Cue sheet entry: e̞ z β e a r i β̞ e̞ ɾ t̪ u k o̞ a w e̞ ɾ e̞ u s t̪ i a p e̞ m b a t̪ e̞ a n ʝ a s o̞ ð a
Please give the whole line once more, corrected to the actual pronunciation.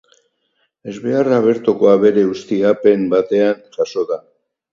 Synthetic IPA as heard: e̞ z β e a r a β̞ e̞ ɾ t̪ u k o̞ a β e̞ ɾ e̞ u s t̪ i a p e̞ m b a t̪ e̞ a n ʝ a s o̞ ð a